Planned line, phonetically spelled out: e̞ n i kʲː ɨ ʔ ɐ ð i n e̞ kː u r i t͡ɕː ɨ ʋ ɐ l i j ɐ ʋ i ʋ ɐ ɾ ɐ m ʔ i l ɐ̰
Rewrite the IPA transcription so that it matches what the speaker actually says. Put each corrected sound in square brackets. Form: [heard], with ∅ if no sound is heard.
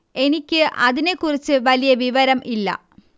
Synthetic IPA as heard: e̞ n i kʲː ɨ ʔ ɐ ð i n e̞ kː u r i t͡ɕː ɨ ʋ ɐ l i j ɐ ʋ i ʋ ɐ ɾ ɐ m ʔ i [lː] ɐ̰